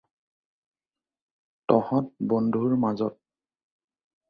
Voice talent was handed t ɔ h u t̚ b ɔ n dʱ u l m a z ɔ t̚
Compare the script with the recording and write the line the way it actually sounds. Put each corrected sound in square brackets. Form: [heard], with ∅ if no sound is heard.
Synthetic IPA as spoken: t ɔ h [ɔ] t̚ b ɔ n dʱ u [ɹ] m a z ɔ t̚